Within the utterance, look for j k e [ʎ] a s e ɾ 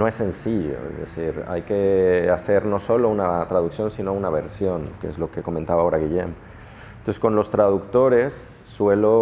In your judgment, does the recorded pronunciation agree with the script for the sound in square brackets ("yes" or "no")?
no